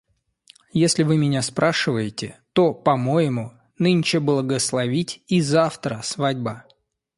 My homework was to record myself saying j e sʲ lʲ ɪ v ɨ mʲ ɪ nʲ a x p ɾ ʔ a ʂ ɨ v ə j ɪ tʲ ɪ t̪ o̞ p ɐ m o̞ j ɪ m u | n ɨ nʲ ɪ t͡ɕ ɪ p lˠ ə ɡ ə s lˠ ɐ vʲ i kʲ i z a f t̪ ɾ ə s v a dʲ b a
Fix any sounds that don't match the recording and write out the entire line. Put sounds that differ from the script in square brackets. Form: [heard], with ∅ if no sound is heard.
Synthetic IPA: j e sʲ lʲ ɪ v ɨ mʲ ɪ nʲ a [s] p ɾ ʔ a ʂ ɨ v ə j ɪ tʲ ɪ t̪ o̞ p ɐ m o̞ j ɪ m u | n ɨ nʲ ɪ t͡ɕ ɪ [b] lˠ ə ɡ ə s lˠ ɐ vʲ i [tʲ] i z a f t̪ ɾ ə s v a dʲ b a